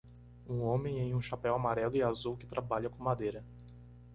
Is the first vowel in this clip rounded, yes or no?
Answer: yes